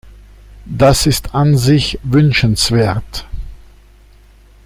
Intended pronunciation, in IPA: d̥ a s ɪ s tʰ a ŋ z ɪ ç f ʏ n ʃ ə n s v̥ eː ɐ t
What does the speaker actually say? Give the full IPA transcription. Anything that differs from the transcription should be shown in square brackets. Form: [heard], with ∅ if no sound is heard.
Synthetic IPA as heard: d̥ a s ɪ s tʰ a [n] z ɪ ç [v] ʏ n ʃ ə n s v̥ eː ɐ t